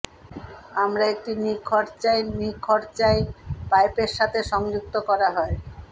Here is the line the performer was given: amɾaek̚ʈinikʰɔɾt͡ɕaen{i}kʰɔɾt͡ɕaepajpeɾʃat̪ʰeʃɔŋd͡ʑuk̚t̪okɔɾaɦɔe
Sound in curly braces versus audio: correct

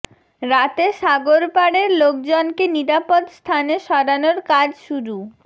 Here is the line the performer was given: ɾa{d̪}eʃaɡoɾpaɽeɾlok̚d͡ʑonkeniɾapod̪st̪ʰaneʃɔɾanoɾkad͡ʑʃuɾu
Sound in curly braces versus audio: incorrect: t̪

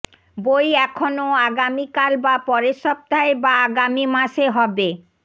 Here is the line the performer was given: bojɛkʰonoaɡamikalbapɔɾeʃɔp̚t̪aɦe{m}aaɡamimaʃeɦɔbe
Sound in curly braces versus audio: incorrect: b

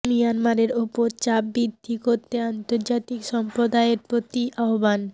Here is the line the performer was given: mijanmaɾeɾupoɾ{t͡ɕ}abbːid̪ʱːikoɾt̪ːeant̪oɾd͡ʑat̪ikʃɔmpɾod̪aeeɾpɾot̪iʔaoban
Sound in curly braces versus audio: correct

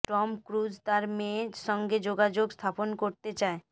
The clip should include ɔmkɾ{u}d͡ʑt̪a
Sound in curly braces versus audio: correct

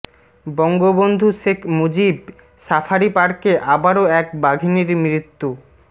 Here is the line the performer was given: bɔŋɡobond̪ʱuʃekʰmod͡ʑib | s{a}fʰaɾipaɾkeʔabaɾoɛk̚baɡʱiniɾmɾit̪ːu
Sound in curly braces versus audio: correct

